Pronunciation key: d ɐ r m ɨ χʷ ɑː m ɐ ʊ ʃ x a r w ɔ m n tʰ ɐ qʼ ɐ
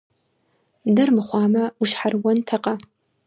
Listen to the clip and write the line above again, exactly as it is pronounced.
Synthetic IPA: d ɐ r m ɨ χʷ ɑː m ɐ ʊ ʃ ħ a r w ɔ n tʰ ɐ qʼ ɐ